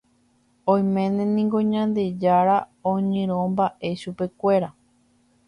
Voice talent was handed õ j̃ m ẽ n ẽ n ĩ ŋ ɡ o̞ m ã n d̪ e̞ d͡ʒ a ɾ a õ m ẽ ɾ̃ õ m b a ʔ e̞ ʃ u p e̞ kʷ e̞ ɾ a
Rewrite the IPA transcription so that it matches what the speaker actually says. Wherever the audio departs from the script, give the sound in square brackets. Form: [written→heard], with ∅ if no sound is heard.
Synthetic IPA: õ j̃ m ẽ n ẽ n ĩ ŋ ɡ o̞ [m→ɲ] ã n d̪ e̞ d͡ʒ a ɾ a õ [m→ɲ] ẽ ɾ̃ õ m b a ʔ e̞ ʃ u p e̞ kʷ e̞ ɾ a

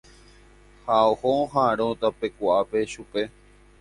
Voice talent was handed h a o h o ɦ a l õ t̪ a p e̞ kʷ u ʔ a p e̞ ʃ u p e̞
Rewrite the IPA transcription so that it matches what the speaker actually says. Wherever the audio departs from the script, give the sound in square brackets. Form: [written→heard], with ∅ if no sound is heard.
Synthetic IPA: h a o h o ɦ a [l→ɾ] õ t̪ a p e̞ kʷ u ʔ a p e̞ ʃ u p e̞

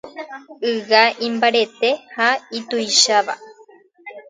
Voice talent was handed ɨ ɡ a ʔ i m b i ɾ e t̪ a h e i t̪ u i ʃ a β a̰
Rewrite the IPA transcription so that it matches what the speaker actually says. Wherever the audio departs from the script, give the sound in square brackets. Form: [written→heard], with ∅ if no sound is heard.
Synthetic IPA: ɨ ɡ a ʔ i m b [i→a] ɾ e t̪ [a→e] h [e→a] i t̪ u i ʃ a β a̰

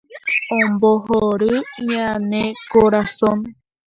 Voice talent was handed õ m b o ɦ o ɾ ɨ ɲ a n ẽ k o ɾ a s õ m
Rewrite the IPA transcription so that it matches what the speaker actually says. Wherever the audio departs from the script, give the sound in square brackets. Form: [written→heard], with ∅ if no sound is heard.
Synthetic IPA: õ m b o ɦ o ɾ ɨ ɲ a n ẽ k o ɾ a s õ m

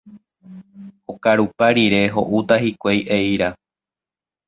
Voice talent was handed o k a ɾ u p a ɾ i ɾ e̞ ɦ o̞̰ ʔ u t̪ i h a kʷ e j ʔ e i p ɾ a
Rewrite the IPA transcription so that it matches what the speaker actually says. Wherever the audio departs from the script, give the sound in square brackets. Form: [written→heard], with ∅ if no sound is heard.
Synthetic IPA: o k a ɾ u p a ɾ i ɾ e̞ ɦ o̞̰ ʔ u t̪ [i→a] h [a→i] kʷ e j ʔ e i [p→∅] ɾ a

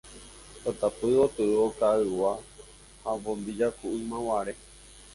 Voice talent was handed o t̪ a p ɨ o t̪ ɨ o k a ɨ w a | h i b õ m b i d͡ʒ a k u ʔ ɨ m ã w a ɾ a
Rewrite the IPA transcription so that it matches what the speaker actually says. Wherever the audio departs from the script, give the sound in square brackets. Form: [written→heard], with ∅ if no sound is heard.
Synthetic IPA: o t̪ a p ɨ o t̪ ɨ o k a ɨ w a | h [i→a] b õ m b i d͡ʒ a k u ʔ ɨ m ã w a ɾ [a→e]

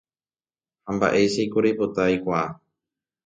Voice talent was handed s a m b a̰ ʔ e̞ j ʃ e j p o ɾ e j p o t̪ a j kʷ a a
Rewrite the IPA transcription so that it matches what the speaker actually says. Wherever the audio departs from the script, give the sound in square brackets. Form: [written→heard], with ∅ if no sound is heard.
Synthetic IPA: [s→h] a m b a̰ ʔ e̞ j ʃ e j [p→k] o ɾ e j p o t̪ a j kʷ a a

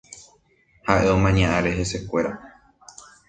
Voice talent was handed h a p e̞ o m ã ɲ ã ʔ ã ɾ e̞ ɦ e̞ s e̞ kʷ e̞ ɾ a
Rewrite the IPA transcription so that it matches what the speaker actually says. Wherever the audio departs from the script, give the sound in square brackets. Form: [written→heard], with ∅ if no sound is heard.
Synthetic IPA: h a [p→ʔ] e̞ o m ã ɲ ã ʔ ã ɾ e̞ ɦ e̞ s e̞ kʷ e̞ ɾ a

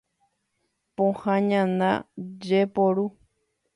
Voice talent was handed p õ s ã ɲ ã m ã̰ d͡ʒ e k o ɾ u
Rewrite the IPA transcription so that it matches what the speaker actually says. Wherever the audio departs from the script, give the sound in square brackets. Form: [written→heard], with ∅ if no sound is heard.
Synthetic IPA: p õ [s→h] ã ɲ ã [m→n] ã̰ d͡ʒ e [k→p] o ɾ u

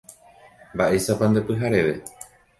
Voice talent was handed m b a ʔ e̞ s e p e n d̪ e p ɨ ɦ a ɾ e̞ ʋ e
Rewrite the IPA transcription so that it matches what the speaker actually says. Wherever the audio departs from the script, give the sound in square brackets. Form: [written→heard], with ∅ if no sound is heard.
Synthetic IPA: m b a ʔ e̞ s [e→a] p [e→a] n d̪ e p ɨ ɦ a ɾ e̞ ʋ e

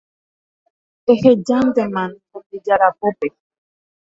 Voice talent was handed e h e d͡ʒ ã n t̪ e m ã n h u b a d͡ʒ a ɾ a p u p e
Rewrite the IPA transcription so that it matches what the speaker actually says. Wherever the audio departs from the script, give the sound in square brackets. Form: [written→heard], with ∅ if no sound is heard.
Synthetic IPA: e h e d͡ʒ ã n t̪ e m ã n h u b [a→i] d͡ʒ a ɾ a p [u→o] p e

